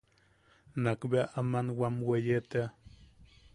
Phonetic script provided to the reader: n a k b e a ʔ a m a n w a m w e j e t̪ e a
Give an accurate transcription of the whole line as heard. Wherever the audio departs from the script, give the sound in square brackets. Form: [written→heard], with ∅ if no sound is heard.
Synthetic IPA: n a k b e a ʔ a m a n w a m w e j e t̪ e a